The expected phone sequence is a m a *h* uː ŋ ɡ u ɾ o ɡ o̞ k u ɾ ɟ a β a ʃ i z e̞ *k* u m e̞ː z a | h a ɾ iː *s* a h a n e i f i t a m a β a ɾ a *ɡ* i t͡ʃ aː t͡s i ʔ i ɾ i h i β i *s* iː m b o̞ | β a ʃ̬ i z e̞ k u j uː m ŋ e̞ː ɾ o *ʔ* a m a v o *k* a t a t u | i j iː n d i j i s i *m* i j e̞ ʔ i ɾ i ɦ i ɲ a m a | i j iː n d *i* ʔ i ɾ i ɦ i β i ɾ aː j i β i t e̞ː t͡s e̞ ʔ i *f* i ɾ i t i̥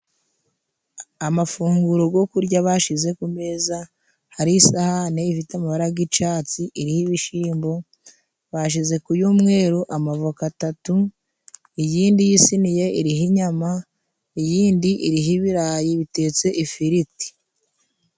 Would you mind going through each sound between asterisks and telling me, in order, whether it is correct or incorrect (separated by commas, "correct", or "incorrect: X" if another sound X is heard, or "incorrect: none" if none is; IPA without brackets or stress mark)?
incorrect: f, correct, correct, correct, incorrect: ʃ, correct, correct, incorrect: n, correct, correct